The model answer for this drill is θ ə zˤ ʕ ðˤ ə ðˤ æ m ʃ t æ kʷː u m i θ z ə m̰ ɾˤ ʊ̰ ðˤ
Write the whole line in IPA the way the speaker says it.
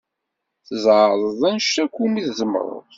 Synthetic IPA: θ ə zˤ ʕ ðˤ ə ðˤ æ n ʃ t æ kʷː u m i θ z ə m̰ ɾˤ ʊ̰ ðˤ